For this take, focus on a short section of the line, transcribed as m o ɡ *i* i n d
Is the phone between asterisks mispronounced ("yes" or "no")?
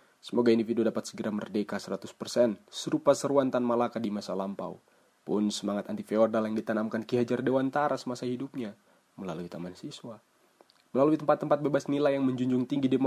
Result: yes